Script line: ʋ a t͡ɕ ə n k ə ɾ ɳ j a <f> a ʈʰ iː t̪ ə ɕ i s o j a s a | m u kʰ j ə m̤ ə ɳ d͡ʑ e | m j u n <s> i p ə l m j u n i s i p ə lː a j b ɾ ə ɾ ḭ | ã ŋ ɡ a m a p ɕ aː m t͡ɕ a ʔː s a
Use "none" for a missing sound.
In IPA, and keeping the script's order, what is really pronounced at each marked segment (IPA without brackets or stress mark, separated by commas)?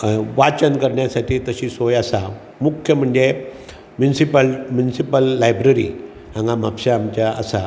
s, s